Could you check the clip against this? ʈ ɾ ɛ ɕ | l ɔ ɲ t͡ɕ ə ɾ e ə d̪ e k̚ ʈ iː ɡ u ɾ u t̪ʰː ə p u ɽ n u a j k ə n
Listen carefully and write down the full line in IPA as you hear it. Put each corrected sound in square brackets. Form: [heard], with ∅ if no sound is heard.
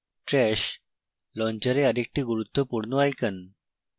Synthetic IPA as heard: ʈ ɾ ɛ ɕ | l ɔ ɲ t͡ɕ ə ɾ e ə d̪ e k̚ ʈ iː ɡ u ɾ u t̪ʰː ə p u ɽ n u a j k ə n

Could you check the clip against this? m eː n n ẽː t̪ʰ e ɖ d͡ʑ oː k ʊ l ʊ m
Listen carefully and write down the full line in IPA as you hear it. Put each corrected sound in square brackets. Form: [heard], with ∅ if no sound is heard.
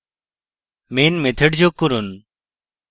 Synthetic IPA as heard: m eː n [m] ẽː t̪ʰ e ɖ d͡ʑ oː k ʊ [ɾ] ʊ [n]

